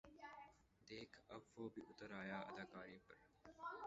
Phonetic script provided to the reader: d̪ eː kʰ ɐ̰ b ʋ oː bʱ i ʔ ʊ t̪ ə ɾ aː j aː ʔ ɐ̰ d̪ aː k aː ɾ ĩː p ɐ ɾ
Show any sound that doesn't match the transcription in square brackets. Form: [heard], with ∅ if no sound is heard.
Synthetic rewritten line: d̪ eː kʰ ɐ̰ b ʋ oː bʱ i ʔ ʊ t̪ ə ɾ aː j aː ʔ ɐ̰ d̪ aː k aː ɾ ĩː p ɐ ɾ